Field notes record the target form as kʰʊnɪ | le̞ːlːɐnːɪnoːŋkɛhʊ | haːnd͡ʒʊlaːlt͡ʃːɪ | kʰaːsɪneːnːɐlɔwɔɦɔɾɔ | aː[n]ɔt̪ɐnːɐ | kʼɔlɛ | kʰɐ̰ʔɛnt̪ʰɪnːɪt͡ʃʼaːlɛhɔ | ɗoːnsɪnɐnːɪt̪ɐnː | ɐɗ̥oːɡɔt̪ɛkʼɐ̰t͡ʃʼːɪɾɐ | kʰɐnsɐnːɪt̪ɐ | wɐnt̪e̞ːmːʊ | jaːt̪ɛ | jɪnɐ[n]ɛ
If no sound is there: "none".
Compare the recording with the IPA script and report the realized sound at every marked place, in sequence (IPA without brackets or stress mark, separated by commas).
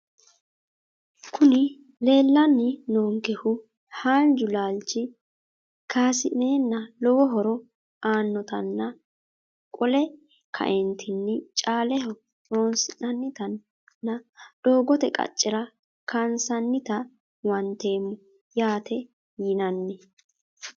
nː, nː